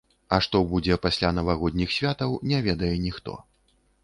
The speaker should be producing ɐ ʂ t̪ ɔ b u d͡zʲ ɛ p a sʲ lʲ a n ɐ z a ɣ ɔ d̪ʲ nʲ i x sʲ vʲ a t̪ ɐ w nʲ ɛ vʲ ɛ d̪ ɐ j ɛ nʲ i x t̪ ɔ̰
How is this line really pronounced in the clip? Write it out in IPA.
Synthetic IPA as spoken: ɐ ʂ t̪ ɔ b u d͡zʲ ɛ p a sʲ lʲ a n ɐ v a ɣ ɔ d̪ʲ nʲ i x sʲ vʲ a t̪ ɐ w nʲ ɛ vʲ ɛ d̪ ɐ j ɛ nʲ i x t̪ ɔ̰

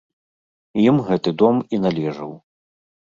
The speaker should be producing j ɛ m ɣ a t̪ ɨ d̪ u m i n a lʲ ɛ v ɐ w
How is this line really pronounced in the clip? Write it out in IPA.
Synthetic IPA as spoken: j i m ɣ ɛ t̪ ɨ d̪ ɔ m i n a lʲ ɛ ʐ ɐ w

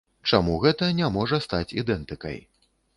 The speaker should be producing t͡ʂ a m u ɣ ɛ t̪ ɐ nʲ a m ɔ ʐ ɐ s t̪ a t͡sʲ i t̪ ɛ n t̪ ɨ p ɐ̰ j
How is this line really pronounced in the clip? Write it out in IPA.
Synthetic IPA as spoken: t͡ʂ a m u ɣ ɛ t̪ ɐ nʲ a m ɔ ʐ ɐ s t̪ a t͡sʲ i d̪ ɛ n t̪ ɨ k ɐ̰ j

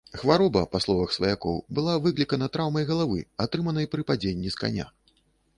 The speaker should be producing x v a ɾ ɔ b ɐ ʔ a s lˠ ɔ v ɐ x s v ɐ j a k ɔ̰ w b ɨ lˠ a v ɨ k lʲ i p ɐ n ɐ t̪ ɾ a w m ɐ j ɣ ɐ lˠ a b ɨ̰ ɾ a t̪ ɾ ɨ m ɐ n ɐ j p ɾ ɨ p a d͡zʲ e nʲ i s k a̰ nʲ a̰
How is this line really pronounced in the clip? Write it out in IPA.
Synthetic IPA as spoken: x v a ɾ ɔ b ɐ p a s lˠ ɔ v ɐ x s v ɐ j a k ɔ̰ w b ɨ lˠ a v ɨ k lʲ i k ɐ n ɐ t̪ ɾ a w m ɐ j ɣ ɐ lˠ a v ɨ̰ a t̪ ɾ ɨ m ɐ n ɐ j p ɾ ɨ p a d͡zʲ e nʲː i s k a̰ nʲ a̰

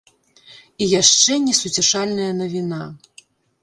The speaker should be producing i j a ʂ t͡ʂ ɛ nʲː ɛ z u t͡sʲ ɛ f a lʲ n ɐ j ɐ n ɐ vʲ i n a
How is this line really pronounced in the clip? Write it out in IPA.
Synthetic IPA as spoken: i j a ʂ t͡ʂ ɛ nʲ ɛ s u t͡sʲ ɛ ʂ a lʲ n ɐ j ɐ n ɐ vʲ i n a

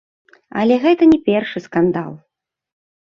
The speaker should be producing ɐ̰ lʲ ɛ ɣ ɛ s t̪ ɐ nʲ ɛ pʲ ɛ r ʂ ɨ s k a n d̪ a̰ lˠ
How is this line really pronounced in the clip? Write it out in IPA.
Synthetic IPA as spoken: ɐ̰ lʲ ɛ ɣ ɛ t̪ ɐ nʲ ɛ pʲ ɛ r ʂ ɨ s k a n d̪ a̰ lˠ

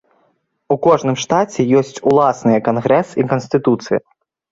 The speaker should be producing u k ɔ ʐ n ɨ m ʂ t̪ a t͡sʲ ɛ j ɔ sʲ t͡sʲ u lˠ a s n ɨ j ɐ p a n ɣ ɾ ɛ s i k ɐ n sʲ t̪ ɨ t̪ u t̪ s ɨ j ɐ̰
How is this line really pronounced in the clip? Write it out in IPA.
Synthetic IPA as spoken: u k ɔ ʐ n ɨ m ʂ t̪ a t͡sʲ ɛ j ɔ sʲ t͡sʲ u lˠ a s n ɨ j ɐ k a n ɣ ɾ ɛ s i k ɐ n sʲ t̪ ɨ t̪ u t̪ s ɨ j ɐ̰

